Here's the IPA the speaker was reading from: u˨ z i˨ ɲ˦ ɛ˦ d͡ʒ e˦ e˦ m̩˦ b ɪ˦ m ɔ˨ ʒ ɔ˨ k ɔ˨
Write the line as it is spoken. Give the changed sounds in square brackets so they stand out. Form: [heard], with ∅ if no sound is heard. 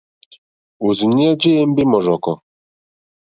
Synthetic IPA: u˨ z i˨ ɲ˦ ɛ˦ d͡ʒ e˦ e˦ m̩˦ b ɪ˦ m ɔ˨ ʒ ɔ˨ k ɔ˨